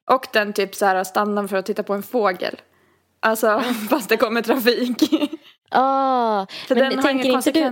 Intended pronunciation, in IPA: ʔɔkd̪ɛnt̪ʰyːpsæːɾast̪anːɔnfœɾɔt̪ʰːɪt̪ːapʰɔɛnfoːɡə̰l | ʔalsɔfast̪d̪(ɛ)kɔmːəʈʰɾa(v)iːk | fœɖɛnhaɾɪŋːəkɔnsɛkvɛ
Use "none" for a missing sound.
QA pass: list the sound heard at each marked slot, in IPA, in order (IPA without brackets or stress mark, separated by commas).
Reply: ɛ, f